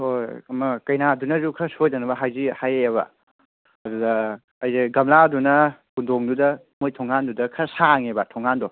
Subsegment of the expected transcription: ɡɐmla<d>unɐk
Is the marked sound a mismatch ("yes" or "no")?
no